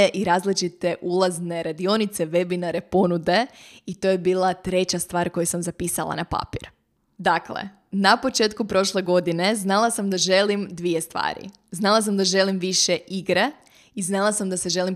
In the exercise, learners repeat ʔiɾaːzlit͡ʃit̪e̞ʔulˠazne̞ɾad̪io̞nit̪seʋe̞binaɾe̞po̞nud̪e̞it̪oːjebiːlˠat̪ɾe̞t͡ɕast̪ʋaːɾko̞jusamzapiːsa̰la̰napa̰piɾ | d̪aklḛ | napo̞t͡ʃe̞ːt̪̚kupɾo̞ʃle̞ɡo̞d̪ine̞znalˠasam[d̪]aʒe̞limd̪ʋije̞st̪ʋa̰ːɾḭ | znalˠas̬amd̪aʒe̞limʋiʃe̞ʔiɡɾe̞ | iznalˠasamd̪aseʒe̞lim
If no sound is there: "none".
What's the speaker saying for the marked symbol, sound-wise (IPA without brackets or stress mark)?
d̪